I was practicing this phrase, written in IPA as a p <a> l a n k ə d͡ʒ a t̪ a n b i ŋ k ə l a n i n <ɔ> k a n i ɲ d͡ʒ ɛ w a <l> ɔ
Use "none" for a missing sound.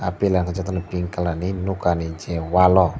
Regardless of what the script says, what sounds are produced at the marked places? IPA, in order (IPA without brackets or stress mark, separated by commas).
i, u, l